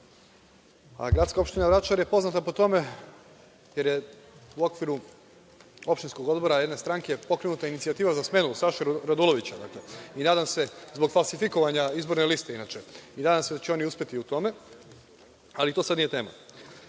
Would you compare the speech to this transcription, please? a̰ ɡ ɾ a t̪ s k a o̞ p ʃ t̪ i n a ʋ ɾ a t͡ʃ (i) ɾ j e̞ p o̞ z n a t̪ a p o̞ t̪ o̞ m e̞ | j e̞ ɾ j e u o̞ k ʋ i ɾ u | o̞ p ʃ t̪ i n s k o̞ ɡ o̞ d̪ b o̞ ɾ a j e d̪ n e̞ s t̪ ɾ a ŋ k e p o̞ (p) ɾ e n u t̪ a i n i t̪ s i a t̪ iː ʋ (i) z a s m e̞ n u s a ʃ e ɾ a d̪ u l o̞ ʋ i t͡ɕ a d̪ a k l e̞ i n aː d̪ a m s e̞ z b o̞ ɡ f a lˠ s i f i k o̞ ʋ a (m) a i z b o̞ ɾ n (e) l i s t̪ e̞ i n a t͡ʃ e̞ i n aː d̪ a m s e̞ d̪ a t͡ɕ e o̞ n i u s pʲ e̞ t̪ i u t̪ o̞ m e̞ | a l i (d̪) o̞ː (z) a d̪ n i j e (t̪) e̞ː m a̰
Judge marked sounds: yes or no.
no, no, no, no, yes, no, no, yes

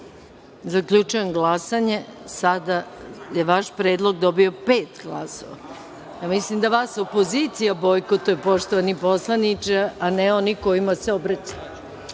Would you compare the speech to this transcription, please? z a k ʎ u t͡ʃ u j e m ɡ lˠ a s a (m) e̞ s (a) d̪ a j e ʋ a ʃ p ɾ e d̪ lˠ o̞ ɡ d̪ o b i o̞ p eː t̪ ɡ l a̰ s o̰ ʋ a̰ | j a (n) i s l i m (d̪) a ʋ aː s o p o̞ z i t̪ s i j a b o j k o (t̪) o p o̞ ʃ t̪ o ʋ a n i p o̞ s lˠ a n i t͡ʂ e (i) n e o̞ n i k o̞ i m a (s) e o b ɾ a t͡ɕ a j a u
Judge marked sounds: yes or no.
no, yes, no, yes, yes, no, yes

